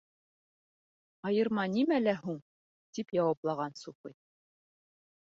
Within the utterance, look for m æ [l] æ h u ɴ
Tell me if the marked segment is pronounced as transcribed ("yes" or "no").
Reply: yes